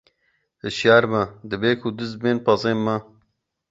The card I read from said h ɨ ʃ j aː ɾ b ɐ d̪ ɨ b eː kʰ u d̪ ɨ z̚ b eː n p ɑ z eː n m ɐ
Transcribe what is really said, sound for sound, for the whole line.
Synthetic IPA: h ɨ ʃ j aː ɾ m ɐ d̪ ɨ b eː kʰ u d̪ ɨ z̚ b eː n p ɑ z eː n m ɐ